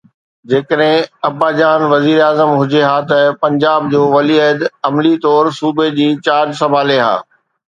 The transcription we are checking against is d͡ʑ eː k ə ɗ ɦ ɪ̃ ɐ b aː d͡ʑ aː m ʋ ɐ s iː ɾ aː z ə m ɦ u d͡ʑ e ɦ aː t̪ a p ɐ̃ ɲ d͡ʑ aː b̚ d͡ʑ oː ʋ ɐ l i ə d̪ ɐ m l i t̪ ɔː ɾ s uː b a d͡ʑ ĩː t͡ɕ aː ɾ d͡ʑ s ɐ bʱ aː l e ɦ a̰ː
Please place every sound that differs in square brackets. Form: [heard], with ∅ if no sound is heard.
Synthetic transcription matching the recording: d͡ʑ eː k ə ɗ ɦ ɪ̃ ɐ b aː d͡ʑ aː [n] ʋ ɐ [z] iː ɾ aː z ə m ɦ [ʊ] d͡ʑ e ɦ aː t̪ [ɐ] p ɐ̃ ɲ d͡ʑ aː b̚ d͡ʑ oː ʋ ɐ l i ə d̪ ɐ m l i t̪ ɔː ɾ s uː b [e] d͡ʑ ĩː t͡ɕ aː ɾ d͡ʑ s ɐ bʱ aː l e ɦ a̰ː